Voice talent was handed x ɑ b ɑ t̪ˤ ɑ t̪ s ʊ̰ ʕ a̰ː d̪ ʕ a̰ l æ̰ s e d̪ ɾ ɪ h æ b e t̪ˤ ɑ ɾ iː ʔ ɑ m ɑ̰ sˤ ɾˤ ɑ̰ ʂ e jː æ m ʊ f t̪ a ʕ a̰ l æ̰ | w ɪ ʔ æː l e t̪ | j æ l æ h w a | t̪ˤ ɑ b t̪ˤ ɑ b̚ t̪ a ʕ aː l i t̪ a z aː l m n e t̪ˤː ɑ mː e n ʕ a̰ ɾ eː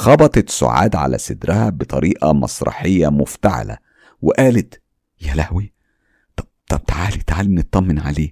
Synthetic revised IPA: x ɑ b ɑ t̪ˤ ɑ t̪ s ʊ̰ ʕ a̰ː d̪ ʕ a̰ l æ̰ s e d̪ ɾ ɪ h æ b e t̪ˤ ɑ ɾ iː ʔ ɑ m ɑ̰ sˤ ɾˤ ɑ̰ ħ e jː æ m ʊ f t̪ a ʕ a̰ l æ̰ | w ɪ ʔ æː l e t̪ | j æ l æ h w i | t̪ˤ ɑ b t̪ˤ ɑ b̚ t̪ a ʕ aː l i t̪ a ʕ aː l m n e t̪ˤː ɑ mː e n ʕ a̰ l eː